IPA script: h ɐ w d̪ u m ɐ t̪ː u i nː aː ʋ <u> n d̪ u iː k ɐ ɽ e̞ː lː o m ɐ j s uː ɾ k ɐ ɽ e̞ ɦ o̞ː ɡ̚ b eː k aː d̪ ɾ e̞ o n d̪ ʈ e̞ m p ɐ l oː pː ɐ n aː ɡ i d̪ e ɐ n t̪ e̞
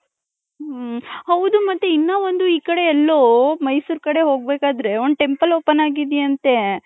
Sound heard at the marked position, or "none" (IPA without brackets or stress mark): o